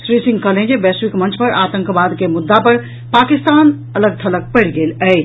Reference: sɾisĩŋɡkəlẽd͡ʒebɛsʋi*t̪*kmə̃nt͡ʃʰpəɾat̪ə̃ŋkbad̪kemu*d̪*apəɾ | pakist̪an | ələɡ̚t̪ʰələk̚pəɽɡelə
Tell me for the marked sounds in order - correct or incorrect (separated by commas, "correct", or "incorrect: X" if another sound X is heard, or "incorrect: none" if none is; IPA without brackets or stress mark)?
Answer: incorrect: none, incorrect: d̪ː